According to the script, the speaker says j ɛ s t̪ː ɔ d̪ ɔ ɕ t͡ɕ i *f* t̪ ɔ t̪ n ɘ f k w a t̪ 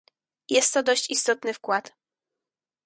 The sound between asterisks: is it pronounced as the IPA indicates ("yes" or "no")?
no